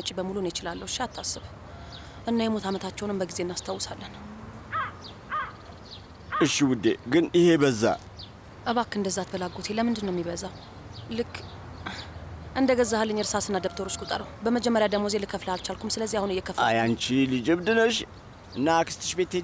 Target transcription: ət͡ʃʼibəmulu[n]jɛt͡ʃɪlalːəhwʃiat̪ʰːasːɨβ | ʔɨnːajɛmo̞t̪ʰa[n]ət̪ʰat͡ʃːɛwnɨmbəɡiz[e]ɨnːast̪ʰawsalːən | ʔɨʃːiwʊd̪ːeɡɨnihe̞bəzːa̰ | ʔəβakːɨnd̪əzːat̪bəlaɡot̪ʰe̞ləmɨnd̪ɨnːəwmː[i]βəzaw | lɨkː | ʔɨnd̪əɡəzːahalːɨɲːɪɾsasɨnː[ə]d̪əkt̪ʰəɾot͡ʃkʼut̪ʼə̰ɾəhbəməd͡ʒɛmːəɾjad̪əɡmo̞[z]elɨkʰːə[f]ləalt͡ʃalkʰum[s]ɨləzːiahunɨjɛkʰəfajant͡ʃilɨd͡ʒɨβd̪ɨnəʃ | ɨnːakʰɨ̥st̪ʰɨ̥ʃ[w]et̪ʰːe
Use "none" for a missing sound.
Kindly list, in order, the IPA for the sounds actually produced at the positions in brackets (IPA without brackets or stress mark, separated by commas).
n, m, e, i, a, z, f, s, b